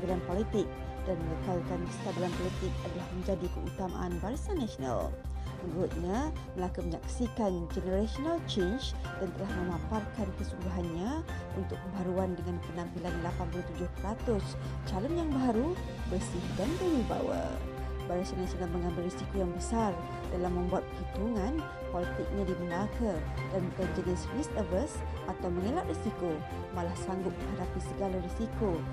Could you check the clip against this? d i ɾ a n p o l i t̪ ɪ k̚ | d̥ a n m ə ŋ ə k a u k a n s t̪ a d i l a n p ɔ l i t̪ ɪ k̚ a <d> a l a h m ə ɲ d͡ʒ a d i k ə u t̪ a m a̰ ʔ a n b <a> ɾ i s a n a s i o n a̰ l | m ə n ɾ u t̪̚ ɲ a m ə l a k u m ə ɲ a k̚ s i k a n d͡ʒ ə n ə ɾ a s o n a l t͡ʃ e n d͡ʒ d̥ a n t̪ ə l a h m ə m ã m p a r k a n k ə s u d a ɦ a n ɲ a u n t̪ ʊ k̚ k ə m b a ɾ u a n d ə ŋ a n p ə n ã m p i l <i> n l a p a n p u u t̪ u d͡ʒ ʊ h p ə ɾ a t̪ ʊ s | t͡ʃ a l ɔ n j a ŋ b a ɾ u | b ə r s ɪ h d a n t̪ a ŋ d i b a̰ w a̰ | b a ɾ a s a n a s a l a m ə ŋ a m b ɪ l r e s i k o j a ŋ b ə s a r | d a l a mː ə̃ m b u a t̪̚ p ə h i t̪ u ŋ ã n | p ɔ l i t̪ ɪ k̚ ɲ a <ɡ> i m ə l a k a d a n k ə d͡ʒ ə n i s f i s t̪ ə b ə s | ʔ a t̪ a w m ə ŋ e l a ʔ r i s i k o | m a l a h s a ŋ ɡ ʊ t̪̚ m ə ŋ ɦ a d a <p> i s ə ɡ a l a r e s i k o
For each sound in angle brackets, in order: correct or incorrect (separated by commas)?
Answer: correct, correct, incorrect, incorrect, correct